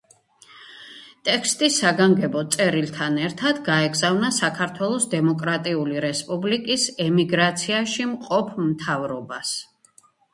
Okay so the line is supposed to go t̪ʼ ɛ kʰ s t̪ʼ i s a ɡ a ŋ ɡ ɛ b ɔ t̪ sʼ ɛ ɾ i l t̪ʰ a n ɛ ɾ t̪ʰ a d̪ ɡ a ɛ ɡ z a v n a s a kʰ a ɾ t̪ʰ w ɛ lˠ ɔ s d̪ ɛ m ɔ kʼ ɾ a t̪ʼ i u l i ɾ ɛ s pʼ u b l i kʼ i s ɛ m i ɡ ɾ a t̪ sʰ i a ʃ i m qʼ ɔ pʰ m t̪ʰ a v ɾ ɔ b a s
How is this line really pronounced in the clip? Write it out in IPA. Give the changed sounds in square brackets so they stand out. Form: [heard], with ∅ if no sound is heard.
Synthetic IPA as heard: t̪ʼ ɛ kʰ s t̪ʼ i s a ɡ a ŋ ɡ ɛ b ɔ t̪ sʼ ɛ ɾ i l t̪ʰ a n ɛ ɾ t̪ʰ a d̪ ɡ a ɛ ɡ z a v n a s a kʰ a ɾ t̪ʰ w ɛ lˠ ɔ s d̪ ɛ m ɔ kʼ ɾ a t̪ʼ i u l i ɾ ɛ s pʼ u b l i kʼ i s ɛ m i ɡ ɾ a t̪ sʰ i a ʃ i m qʼ ɔ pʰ m t̪ʰ a v ɾ ɔ b a s